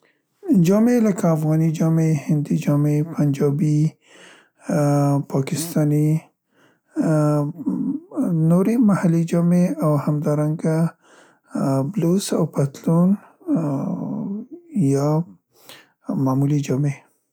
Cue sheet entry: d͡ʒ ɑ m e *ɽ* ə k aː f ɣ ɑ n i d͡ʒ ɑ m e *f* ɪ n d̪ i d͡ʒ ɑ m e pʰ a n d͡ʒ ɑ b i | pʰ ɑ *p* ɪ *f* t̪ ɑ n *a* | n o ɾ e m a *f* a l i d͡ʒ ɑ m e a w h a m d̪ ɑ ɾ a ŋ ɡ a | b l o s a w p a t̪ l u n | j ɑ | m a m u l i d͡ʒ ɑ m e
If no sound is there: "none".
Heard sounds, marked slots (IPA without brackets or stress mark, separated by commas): l, h, k, s, i, h